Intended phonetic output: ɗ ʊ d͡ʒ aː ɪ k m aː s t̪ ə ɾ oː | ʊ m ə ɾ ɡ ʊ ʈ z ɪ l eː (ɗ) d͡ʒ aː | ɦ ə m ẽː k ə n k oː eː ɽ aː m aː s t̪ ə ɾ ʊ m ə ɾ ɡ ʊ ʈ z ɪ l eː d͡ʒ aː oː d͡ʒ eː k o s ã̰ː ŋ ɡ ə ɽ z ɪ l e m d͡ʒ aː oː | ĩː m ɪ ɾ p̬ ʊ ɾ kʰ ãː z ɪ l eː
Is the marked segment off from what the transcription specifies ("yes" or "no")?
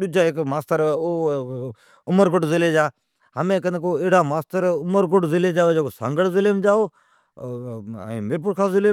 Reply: yes